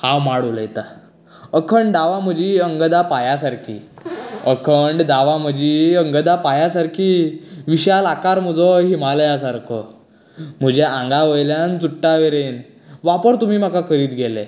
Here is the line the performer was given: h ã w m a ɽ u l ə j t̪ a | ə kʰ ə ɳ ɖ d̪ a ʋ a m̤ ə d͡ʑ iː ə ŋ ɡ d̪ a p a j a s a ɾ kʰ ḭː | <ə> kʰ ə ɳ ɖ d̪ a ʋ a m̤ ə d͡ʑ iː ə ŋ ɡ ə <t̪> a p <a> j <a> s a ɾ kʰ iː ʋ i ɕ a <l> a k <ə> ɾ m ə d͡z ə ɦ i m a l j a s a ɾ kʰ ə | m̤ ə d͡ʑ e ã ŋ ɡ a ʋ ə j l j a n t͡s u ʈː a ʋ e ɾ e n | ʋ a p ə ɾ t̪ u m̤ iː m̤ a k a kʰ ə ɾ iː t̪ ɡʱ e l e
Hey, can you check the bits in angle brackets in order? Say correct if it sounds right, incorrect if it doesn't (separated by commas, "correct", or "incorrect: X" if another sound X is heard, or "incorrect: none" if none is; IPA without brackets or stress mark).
correct, incorrect: d̪, correct, correct, correct, incorrect: a